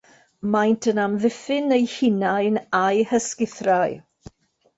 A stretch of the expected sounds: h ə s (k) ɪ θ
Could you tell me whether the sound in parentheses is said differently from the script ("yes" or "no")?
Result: no